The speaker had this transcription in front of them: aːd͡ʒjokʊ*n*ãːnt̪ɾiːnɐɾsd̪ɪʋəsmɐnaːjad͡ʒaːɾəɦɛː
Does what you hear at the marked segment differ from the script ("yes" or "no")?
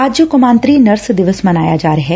yes